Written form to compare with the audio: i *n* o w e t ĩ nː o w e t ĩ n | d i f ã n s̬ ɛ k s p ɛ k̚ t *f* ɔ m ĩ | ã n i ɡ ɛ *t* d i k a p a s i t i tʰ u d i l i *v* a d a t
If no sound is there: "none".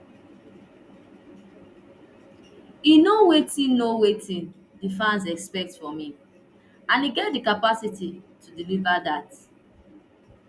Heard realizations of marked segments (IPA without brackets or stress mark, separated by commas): n, f, t, v